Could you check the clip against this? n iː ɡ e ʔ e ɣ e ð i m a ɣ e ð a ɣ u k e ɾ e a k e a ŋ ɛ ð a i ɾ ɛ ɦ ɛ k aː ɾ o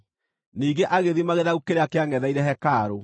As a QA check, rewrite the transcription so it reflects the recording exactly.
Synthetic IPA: n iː ɡ e ʔ a ɣ e ð i m a ɣ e ð a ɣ u k e ɾ e a k e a ŋ ɛ ð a i ɾ ɛ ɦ ɛ k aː ɾ o